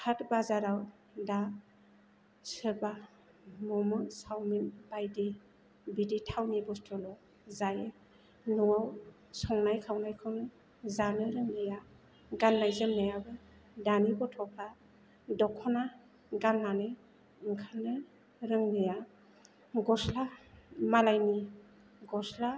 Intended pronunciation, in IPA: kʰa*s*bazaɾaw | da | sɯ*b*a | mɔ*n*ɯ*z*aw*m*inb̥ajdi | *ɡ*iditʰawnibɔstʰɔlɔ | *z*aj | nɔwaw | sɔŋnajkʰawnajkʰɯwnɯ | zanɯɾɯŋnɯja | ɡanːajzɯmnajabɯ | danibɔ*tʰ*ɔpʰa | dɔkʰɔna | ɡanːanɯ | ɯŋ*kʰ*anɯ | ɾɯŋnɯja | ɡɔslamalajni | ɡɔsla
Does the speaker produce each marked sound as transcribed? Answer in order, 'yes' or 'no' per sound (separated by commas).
no, yes, no, no, yes, no, yes, yes, yes